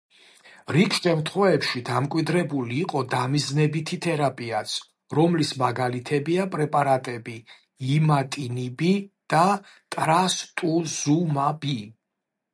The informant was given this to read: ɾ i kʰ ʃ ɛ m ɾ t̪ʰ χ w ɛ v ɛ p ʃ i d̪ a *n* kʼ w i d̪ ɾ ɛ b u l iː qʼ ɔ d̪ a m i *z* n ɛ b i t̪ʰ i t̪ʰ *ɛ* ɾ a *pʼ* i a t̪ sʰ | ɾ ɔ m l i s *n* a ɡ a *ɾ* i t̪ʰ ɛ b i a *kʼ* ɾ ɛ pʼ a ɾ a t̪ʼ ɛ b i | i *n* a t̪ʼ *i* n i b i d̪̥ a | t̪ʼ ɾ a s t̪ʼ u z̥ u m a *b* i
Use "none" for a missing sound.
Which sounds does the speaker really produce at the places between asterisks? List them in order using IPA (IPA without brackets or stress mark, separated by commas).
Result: m, z, ɛ, pʼ, m, l, pʼ, m, i, b